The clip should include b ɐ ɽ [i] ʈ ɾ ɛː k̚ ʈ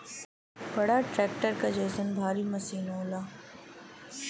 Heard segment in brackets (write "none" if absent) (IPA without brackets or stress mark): a